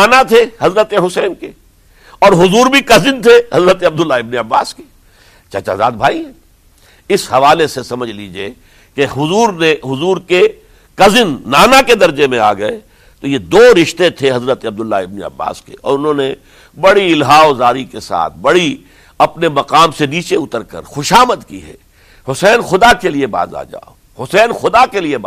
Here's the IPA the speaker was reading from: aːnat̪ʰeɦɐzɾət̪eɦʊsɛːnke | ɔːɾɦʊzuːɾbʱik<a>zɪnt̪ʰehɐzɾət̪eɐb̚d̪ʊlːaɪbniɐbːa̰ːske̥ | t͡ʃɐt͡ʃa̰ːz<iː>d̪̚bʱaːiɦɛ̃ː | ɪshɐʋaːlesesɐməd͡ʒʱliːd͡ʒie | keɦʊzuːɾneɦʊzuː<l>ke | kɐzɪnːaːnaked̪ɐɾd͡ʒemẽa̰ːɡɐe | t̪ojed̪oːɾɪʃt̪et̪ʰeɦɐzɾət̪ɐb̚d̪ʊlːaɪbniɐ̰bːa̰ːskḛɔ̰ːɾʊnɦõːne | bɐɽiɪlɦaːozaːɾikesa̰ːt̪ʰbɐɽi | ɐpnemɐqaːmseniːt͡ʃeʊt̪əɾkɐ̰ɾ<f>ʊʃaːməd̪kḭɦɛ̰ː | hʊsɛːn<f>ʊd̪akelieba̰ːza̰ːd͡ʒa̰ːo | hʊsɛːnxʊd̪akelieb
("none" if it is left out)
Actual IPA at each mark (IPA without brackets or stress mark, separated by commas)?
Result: ɐ, aː, ɾ, x, x